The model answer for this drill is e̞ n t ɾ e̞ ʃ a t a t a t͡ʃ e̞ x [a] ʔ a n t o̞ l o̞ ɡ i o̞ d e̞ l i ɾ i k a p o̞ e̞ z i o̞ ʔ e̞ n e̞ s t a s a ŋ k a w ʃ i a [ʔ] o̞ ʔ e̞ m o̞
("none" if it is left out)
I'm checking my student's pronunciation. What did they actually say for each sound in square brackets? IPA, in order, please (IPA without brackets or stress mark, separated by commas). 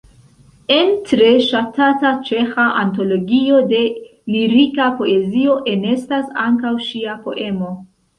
a, p